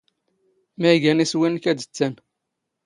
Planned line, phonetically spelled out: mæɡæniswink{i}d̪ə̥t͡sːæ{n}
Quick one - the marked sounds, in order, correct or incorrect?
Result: incorrect: æ, correct

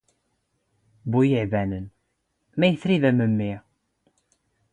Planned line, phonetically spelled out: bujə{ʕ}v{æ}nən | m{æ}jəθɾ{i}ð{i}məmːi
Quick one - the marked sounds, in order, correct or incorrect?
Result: correct, correct, correct, correct, incorrect: æ

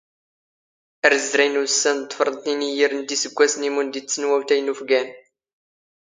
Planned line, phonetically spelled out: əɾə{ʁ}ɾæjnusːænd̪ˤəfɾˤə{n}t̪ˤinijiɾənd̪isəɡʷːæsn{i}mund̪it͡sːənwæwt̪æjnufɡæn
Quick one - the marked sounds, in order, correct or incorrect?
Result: incorrect: z, correct, correct

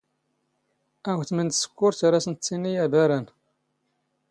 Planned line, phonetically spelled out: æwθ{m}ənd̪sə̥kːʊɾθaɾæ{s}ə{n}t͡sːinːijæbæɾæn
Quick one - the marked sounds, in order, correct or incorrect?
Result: correct, correct, correct

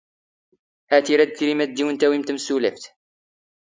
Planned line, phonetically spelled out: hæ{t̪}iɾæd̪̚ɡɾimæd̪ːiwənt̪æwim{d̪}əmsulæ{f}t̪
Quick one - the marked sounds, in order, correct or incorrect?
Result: correct, incorrect: t̪, correct

